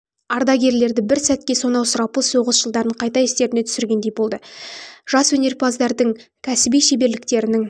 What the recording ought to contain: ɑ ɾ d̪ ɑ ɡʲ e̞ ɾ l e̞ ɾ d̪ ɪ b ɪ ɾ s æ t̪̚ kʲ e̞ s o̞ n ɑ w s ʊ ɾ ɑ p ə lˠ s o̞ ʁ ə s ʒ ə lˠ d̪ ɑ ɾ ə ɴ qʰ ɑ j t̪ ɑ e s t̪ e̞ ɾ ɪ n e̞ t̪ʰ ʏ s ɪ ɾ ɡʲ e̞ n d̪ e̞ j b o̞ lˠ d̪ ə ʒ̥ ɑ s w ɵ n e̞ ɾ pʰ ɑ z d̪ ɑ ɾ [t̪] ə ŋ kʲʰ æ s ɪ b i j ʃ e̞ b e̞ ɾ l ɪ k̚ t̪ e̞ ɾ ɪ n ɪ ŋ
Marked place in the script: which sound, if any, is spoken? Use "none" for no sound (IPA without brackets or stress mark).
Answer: d̪